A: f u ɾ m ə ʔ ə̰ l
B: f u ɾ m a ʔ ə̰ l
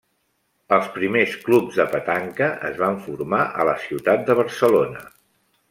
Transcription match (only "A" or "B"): B